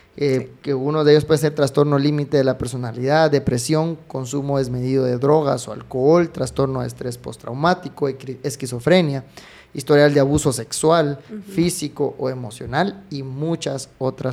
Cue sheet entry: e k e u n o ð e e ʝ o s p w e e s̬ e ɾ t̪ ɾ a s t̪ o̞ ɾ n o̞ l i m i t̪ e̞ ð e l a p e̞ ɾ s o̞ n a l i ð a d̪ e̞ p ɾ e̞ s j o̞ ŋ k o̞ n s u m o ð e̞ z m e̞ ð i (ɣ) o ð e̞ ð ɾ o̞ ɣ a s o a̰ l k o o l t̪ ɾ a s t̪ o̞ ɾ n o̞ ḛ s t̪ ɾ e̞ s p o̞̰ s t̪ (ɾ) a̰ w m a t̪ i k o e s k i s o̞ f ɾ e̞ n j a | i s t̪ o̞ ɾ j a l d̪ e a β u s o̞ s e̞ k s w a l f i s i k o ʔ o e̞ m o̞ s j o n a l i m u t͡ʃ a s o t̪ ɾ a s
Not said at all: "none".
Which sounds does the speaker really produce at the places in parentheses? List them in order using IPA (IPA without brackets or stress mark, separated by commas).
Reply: ð, ɾ